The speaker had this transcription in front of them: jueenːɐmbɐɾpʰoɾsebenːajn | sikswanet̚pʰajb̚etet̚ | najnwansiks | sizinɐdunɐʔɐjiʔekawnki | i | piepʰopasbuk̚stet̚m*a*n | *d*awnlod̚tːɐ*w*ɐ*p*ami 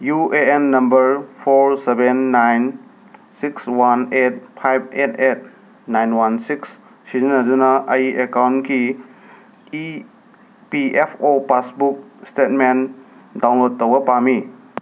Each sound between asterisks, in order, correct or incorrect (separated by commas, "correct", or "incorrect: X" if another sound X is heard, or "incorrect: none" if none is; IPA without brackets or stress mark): incorrect: e, correct, correct, correct